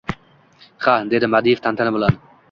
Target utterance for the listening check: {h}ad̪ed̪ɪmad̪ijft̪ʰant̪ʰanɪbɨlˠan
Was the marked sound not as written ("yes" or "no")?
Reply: yes